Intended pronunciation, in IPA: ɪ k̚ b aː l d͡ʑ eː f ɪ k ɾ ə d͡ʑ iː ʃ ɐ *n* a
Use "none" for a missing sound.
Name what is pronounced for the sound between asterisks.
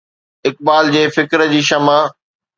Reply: m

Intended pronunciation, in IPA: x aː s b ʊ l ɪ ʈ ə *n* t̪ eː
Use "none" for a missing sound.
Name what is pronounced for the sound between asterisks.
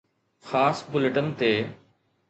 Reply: n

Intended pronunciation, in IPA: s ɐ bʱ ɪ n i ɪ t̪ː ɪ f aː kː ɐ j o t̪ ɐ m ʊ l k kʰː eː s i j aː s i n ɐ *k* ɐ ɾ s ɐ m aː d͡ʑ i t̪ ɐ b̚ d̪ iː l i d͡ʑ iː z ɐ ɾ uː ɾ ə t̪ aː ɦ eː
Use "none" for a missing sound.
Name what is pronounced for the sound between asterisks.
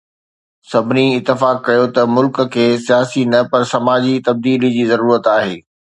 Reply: p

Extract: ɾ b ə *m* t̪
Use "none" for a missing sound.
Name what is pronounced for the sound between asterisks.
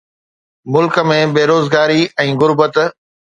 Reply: none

